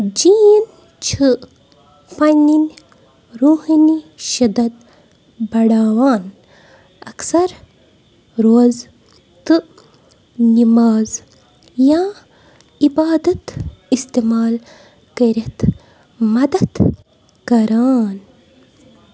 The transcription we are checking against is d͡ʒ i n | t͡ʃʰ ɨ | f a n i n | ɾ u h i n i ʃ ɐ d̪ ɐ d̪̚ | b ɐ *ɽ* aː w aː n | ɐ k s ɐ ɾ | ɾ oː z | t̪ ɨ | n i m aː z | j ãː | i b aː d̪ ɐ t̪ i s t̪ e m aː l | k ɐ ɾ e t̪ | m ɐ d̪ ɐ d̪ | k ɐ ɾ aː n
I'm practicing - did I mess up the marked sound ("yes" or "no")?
no